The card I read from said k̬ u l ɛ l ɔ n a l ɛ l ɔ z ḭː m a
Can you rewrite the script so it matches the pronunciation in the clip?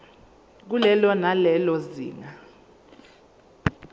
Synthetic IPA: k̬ u l ɛ l ɔ n a l ɛ l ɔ z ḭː ŋ a

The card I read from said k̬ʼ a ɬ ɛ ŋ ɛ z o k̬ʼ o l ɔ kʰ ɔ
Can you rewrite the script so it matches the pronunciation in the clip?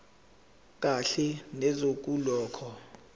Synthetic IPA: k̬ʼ a ɬ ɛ n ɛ z o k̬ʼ u l ɔː kʰ ɔ

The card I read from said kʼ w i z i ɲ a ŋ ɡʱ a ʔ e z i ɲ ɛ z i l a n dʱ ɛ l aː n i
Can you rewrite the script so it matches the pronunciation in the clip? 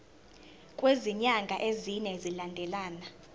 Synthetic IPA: kʼ w e z i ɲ a ŋ ɡʱ a ʔ e z i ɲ ɛ z i l a n dʱ ɛ l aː n a

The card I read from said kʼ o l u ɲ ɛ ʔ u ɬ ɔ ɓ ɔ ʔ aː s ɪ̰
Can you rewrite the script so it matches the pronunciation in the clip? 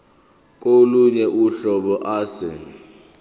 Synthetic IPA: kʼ o l u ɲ ɛ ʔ u ɬ ɔ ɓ ɔ ʔ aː s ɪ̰

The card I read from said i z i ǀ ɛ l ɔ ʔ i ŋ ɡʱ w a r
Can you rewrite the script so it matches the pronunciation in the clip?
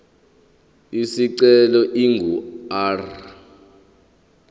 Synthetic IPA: i s i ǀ ɛ l ɔ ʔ i ŋ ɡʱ u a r

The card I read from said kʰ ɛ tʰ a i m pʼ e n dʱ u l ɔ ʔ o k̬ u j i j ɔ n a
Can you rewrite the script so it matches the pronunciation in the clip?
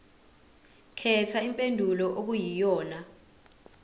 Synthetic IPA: kʰ ɛ tʰ a i m pʼ e n dʱ u l ɔ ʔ o k̬ u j i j ɔː n a

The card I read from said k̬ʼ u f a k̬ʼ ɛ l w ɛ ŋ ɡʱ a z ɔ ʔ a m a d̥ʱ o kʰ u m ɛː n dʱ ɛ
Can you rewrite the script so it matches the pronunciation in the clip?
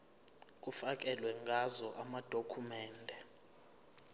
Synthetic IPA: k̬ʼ u f a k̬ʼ ɛ l w ɛ ŋ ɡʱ a z ɔ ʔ a m a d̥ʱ o kʰ u m ɛː n dʱ ɛ

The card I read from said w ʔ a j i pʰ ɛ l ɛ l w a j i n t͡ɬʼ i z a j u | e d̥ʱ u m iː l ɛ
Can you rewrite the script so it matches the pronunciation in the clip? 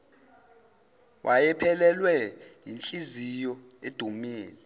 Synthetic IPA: w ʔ a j ɛ pʰ ɛ l ɛ l w ɛ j i n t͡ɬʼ i z i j ɔ | e d̥ʱ u m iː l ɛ

